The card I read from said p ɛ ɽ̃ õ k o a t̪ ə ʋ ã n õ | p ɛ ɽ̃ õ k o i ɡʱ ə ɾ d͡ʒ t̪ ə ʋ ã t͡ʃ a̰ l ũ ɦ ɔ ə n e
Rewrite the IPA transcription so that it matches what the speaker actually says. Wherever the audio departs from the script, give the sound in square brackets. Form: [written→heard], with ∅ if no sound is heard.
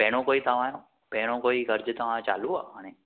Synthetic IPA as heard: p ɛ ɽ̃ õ k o [a→i] t̪ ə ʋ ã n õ | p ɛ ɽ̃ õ k o i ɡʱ ə ɾ d͡ʒ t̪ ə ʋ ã t͡ʃ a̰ l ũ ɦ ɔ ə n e

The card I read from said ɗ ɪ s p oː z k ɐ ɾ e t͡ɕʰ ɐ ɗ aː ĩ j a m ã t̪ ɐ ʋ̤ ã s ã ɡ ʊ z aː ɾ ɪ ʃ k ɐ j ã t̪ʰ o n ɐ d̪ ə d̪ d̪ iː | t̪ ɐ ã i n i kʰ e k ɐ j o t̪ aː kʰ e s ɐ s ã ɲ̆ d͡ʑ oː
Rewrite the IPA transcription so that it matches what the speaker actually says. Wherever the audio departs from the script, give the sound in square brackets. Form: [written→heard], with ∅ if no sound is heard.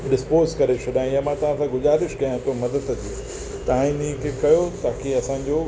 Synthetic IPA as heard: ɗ ɪ s p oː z k ɐ ɾ e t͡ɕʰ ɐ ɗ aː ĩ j a m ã t̪ ɐ ʋ̤ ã s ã ɡ ʊ z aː ɾ ɪ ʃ k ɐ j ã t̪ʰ o [n→m] ɐ d̪ ə d̪ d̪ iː | t̪ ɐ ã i n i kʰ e k ɐ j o t̪ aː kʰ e [s→∅] ɐ s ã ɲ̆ d͡ʑ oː

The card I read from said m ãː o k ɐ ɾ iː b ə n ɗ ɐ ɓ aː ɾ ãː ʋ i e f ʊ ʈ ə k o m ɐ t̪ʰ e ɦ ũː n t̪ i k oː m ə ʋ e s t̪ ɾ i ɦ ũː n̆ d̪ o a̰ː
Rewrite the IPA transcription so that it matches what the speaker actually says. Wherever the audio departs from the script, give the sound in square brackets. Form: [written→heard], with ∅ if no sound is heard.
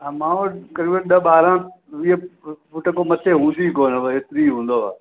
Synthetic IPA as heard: m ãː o k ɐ ɾ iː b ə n ɗ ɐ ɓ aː ɾ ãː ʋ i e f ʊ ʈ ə k o m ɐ t̪ʰ e ɦ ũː n [t̪→d̪] i k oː [m→n] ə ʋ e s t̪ ɾ i ɦ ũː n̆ d̪ o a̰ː

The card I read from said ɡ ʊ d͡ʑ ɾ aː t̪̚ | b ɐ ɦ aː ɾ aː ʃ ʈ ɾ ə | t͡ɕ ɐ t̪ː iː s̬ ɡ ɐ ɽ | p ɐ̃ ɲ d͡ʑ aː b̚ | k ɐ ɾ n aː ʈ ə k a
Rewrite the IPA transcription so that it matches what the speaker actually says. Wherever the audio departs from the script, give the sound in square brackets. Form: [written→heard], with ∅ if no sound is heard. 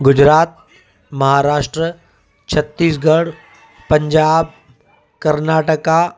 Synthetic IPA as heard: ɡ ʊ d͡ʑ ɾ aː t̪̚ | [b→m] ɐ ɦ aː ɾ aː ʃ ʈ ɾ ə | [t͡ɕ→t͡ɕʰ] ɐ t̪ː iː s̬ ɡ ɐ ɽ | p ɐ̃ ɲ d͡ʑ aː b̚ | k ɐ ɾ n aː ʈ ə k a

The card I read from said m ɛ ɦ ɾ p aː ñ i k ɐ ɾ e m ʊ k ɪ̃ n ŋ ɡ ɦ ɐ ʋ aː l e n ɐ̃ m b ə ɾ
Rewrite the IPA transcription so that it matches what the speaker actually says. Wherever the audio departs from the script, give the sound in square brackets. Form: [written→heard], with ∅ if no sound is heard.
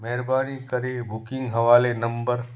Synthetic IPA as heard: m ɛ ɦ ɾ [p→b] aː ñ i k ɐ ɾ e [m→b] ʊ k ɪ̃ [n→∅] ŋ ɡ ɦ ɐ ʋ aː l e n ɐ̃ m b ə ɾ

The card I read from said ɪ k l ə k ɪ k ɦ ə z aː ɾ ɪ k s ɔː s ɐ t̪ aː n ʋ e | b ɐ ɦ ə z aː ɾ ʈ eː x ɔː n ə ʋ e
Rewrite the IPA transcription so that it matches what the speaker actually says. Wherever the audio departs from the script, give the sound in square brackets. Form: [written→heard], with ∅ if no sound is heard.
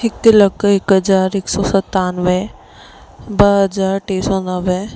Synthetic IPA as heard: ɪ k l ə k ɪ k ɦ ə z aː ɾ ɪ k s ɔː s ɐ t̪ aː n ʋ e | b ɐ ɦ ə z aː ɾ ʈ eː [x→s] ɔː n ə ʋ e

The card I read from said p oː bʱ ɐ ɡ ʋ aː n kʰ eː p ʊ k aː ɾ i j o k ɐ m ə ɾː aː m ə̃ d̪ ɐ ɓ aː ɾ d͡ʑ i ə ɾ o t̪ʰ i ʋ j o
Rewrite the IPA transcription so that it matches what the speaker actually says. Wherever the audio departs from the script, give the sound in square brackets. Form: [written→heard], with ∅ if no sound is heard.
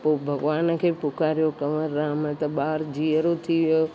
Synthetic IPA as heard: p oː bʱ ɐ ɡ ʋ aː n kʰ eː p ʊ k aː ɾ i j o k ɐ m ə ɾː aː m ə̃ [d̪→t̪] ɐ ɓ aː ɾ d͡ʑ i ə ɾ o t̪ʰ i ʋ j o

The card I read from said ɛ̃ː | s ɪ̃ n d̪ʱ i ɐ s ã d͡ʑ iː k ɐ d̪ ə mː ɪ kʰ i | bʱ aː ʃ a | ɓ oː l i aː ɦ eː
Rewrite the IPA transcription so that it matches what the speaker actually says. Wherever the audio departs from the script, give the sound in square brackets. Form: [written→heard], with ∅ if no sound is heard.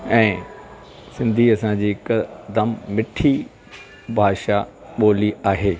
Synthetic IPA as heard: ɛ̃ː | s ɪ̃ n d̪ʱ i ɐ s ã d͡ʑ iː k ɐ d̪ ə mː ɪ [kʰ→ʈʰ] i | bʱ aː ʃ a | ɓ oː l i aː ɦ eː

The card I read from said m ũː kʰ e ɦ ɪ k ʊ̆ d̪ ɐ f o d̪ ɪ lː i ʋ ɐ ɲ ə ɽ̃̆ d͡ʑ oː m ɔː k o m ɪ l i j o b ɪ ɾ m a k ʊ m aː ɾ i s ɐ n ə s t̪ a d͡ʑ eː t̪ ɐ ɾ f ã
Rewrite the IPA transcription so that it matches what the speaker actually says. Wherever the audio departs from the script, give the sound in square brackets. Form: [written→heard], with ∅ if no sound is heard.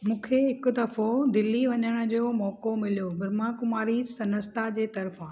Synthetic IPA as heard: m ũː kʰ e ɦ ɪ k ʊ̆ d̪ ɐ f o d̪ ɪ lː i ʋ ɐ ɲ ə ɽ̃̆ d͡ʑ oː m ɔː k o m ɪ l i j o b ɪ ɾ m a k ʊ m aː ɾ i s ɐ n ə s t̪ a d͡ʑ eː t̪ ɐ ɾ f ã

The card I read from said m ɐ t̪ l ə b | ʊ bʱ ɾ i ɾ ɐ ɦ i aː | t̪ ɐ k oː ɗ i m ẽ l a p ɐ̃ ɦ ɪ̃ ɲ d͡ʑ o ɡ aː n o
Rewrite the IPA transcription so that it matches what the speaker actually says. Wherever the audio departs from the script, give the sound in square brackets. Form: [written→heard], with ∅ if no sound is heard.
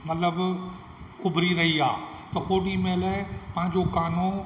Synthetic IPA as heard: m ɐ t̪ l ə b | ʊ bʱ ɾ i ɾ ɐ ɦ i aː | t̪ ɐ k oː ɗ i m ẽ l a p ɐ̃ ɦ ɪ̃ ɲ d͡ʑ o [ɡ→k] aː n o

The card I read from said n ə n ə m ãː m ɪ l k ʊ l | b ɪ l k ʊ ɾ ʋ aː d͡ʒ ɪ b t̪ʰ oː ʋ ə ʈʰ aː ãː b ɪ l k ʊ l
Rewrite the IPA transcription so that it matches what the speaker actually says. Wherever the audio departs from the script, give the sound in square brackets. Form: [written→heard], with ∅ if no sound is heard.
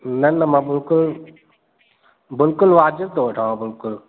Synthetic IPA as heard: n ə n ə m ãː [m→b] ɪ l k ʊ l | b ɪ l k ʊ [ɾ→l] ʋ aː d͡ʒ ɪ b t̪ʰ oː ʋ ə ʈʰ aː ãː b ɪ l k ʊ l

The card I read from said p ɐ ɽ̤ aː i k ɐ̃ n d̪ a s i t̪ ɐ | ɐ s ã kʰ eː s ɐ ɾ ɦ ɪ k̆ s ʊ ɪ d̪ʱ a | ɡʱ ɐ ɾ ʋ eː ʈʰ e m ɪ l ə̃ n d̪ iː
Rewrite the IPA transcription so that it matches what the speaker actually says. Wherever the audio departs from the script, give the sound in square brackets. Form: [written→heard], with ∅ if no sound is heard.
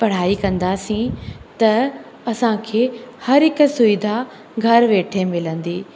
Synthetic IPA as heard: p ɐ ɽ̤ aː i k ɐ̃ n d̪ a s [i→ĩ] t̪ ɐ | ɐ s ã kʰ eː [s→h] ɐ ɾ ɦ ɪ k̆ s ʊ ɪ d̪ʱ a | ɡʱ ɐ ɾ ʋ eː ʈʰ e m ɪ l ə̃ n d̪ iː

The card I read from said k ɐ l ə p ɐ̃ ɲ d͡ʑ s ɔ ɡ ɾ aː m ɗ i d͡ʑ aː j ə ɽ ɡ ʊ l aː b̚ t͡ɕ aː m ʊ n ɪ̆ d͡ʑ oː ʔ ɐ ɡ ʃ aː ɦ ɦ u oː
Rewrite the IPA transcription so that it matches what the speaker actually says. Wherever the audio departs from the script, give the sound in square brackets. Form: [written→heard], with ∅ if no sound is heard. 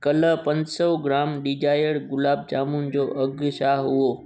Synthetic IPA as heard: k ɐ l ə p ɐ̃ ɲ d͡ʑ s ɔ ɡ ɾ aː m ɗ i d͡ʑ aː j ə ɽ ɡ ʊ l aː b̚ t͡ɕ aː m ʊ n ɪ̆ d͡ʑ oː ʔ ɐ ɡ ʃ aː ɦ ɦ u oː

